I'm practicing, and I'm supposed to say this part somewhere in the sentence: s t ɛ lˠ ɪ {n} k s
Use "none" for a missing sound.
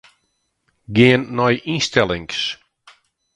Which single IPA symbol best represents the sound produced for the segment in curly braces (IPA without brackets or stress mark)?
ŋ